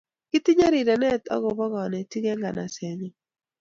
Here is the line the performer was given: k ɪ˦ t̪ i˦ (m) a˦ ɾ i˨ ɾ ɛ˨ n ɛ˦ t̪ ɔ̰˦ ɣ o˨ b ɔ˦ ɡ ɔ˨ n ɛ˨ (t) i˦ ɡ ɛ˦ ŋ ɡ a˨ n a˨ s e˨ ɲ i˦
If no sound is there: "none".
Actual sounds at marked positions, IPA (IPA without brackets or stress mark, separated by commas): ɲ, t